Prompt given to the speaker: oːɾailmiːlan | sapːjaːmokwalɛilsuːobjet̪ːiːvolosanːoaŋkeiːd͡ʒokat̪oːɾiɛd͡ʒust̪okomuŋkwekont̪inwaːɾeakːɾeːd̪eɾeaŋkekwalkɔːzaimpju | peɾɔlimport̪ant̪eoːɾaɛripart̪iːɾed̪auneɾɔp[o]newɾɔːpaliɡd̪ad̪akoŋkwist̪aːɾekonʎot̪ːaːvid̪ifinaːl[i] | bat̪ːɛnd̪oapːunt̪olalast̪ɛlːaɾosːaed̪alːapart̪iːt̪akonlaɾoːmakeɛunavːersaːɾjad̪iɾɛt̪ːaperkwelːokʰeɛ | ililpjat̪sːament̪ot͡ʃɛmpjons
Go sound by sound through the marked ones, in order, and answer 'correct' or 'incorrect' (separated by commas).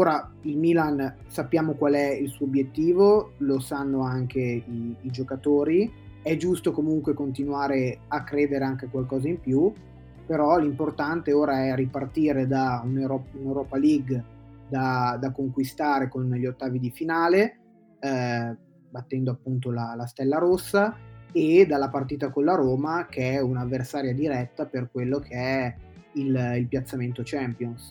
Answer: incorrect, incorrect